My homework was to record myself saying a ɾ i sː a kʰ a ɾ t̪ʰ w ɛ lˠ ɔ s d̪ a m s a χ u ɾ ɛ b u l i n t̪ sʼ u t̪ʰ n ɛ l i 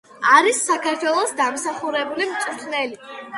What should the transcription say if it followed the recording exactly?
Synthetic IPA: a ɾ i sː a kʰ a ɾ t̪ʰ w ɛ lˠ ɔ s d̪ a m s a χ u ɾ ɛ b u l i m t̪ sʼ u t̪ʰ n ɛ l i

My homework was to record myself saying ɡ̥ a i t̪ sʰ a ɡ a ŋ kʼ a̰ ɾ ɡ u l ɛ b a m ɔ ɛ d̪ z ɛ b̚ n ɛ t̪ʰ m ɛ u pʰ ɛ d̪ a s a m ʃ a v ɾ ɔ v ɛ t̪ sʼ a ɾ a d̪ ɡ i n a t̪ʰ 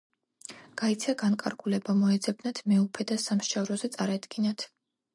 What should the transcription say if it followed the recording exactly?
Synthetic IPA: ɡ̥ a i t̪ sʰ a ɡ a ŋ kʼ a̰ ɾ ɡ u l ɛ b a m ɔ ɛ d̪ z ɛ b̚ n a t̪ʰ m ɛ u pʰ ɛ d̪ a s a m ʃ a v ɾ ɔ z ɛ t̪ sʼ a ɾ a d̪ ɡ i n a t̪ʰ

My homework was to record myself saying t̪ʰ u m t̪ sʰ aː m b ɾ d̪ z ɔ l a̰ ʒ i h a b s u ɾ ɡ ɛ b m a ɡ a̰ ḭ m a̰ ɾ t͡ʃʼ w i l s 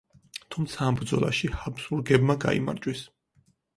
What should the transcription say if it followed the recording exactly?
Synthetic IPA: t̪ʰ u m t̪ sʰ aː m b ɾ d̪ z ɔ l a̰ ʃ i h a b s u ɾ ɡ ɛ b m a ɡ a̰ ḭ m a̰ ɾ t͡ʃʼ w i s

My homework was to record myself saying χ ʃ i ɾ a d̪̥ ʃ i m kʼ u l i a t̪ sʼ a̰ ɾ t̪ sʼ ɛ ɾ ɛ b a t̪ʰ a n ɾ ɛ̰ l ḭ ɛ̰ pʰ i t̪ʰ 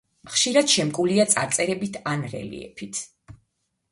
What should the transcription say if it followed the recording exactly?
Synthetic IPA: χ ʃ i ɾ a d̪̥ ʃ ɛ m kʼ u l i a t̪ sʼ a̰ ɾ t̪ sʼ ɛ ɾ ɛ b i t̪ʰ a n ɾ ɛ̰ l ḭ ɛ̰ pʰ i t̪ʰ

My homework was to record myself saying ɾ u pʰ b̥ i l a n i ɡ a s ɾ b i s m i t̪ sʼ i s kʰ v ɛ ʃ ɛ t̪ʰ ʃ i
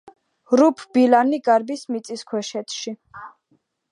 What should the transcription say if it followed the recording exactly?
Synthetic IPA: ɾ u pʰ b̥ i l a n i ɡ a ɾ b i s m i t̪ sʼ i s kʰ w ɛ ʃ ɛ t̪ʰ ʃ i

